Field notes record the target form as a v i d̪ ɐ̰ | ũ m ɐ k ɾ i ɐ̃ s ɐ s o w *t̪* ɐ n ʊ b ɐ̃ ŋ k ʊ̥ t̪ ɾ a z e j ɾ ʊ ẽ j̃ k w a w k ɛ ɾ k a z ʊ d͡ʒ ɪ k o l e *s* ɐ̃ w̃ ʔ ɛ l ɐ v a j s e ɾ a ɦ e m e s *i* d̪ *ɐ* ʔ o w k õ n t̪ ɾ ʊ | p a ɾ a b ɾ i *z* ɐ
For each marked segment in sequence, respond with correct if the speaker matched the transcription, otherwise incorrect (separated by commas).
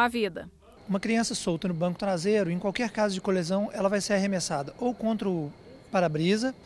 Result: correct, incorrect, incorrect, correct, correct